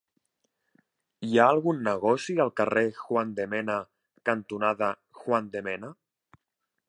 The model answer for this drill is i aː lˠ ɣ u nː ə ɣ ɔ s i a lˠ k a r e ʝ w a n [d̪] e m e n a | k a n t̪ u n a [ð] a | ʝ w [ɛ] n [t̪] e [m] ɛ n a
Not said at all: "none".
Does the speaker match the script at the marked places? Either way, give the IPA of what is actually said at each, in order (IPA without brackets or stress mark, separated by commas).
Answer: d̪, ð, a, d̪, m